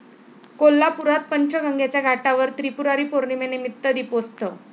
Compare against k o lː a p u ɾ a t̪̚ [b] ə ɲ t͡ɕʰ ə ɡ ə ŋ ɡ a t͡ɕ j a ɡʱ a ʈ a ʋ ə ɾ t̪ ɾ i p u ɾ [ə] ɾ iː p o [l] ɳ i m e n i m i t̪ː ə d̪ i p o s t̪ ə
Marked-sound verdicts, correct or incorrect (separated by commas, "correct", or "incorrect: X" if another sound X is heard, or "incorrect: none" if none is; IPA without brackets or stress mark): incorrect: p, incorrect: a, incorrect: ɾ